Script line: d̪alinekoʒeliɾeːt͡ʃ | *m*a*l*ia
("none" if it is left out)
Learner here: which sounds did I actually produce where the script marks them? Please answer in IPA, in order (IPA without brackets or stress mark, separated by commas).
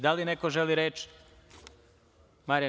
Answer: m, ɾ